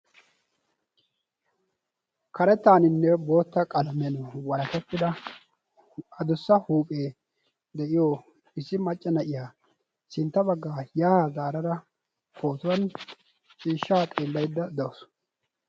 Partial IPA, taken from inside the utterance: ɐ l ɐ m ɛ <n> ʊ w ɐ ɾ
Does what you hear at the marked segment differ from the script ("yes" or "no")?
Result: no